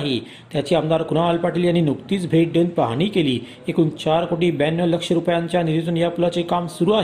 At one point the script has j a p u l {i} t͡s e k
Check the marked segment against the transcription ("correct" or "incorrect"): incorrect